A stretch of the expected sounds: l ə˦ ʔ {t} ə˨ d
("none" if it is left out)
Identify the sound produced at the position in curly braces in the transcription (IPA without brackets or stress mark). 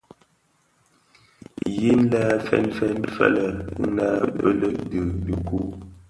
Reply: d